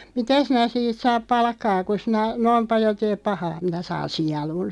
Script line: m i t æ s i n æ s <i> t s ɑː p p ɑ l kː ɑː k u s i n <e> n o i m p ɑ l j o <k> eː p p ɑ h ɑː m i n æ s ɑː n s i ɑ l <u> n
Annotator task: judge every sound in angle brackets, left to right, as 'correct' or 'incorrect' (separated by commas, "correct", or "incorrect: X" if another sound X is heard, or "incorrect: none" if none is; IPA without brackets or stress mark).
incorrect: iː, incorrect: æ, incorrect: t, correct